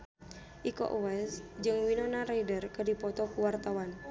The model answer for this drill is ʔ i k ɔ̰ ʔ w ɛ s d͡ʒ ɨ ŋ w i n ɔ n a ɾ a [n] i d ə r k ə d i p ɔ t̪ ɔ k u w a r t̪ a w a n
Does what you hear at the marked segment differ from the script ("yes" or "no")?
yes